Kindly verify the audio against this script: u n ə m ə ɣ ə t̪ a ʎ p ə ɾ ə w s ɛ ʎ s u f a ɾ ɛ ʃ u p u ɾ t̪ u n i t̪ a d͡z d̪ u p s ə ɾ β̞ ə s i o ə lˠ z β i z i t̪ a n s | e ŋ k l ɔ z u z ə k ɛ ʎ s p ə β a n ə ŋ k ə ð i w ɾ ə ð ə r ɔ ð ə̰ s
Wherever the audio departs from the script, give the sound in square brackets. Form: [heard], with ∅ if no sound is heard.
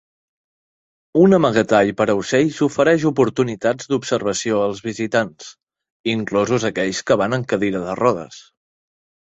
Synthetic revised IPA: u n ə m ə ɣ ə t̪ a ʎ p ə ɾ ə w s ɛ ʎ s u f [ə] ɾ ɛ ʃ u p u ɾ t̪ u n i t̪ a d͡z d̪ u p s ə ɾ β̞ ə s i o ə lˠ z β i z i t̪ a n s | [i] ŋ k l ɔ z u z ə k ɛ ʎ s [k] ə β a n ə ŋ k ə ð i [∅] ɾ ə ð ə r ɔ ð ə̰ s